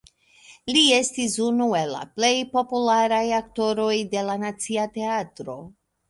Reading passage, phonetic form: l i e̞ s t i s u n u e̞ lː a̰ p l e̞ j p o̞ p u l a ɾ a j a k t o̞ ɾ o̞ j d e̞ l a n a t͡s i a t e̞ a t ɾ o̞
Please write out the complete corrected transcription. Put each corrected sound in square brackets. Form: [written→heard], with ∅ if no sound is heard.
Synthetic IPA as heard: l i e̞ s t i s u n u e̞ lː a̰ p l e̞ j p o̞ p u l a ɾ a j a k t o̞ ɾ o̞ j d e̞ l a n a t͡s i a t e̞ a t ɾ o̞